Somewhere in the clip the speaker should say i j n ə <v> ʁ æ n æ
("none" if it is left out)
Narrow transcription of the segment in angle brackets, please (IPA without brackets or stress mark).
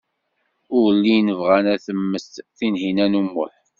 v